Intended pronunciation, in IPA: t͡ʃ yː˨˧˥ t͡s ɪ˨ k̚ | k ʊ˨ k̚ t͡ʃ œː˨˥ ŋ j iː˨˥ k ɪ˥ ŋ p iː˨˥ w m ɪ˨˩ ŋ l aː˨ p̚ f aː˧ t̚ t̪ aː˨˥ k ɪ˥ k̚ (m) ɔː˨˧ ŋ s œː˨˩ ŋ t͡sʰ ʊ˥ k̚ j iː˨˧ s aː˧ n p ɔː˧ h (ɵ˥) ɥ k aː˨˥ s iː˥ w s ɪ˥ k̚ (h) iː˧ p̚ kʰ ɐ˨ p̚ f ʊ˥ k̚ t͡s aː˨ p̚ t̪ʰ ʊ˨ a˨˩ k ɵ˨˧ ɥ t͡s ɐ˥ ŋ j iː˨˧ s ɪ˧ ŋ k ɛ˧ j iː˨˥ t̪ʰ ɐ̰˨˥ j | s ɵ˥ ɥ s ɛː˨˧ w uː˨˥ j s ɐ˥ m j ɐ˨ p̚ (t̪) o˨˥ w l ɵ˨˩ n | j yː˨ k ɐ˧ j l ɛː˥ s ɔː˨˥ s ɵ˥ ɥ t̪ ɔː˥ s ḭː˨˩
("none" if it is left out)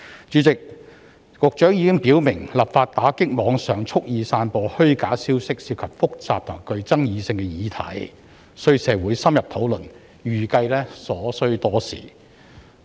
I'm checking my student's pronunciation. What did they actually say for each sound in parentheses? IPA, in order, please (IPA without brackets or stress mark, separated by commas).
m, ɵ˥, s, t̪ʰ